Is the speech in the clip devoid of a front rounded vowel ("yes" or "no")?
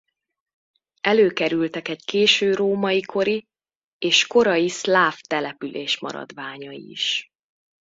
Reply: no